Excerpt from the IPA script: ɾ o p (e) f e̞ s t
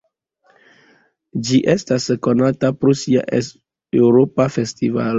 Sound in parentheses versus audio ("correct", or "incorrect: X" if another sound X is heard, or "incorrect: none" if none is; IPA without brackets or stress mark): incorrect: a